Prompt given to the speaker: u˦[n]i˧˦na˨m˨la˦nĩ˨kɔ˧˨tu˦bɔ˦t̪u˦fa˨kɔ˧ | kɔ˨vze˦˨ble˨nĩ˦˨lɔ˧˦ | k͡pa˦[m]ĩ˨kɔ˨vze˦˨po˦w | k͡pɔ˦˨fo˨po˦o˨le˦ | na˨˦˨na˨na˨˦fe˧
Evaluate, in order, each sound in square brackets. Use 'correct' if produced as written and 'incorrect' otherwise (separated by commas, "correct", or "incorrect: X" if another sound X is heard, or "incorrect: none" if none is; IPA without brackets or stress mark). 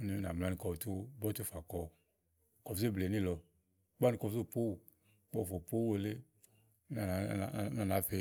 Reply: correct, incorrect: n